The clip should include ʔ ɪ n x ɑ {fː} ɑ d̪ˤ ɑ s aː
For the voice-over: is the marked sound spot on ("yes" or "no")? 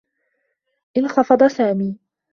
no